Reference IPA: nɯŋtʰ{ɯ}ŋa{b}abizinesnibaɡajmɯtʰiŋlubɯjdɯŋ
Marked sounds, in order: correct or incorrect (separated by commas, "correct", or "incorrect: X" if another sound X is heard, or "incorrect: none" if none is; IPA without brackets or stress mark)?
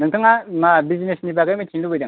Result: correct, incorrect: m